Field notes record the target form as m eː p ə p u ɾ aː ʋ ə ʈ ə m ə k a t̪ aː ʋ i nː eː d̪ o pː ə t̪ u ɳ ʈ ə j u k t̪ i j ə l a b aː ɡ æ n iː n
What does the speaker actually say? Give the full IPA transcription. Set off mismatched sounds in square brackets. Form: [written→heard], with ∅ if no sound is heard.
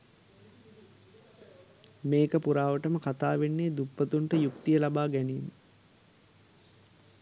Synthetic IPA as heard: m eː [p→k] ə p u ɾ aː ʋ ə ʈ ə m ə k a t̪ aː ʋ [i→e] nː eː d̪ [o→u] pː ə t̪ u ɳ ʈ ə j u k t̪ i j ə l a b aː ɡ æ n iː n